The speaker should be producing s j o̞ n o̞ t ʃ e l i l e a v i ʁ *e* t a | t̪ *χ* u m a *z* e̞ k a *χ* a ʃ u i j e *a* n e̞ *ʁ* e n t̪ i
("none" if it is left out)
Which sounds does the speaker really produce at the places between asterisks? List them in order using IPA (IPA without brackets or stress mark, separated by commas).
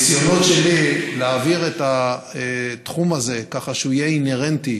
e, χ, z, χ, i, ʁ